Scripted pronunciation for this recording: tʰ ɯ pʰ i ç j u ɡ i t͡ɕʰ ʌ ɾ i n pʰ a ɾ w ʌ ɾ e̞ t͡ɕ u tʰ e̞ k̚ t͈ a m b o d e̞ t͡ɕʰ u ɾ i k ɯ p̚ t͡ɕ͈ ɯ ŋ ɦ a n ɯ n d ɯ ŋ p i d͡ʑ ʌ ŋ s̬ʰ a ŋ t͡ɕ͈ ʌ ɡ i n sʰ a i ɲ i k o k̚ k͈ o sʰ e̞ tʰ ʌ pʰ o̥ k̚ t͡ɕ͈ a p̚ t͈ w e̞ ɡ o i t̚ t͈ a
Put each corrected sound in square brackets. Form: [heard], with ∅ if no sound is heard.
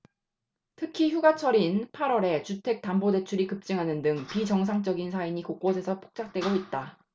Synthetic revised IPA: tʰ ɯ [kʰ] i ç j u ɡ [a] t͡ɕʰ ʌ ɾ i n pʰ a ɾ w ʌ ɾ e̞ t͡ɕ u tʰ e̞ k̚ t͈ a m b o d e̞ t͡ɕʰ u ɾ i k ɯ p̚ t͡ɕ͈ ɯ ŋ ɦ a n ɯ n d ɯ ŋ p i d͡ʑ ʌ ŋ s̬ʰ a ŋ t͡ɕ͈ ʌ ɡ i n sʰ a i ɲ i k o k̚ k͈ o sʰ e̞ [sʰ] ʌ pʰ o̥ k̚ t͡ɕ͈ a [k̚] t͈ w e̞ ɡ o i t̚ t͈ a